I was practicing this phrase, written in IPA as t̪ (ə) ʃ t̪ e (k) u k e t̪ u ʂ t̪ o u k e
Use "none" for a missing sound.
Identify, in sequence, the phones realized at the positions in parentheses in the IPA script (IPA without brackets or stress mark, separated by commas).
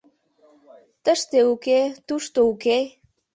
ə, none